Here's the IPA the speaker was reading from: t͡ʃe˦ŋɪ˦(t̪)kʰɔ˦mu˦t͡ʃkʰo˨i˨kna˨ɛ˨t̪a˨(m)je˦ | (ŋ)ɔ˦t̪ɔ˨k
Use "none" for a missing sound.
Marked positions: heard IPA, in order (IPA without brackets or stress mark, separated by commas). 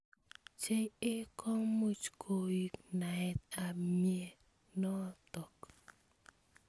none, m, n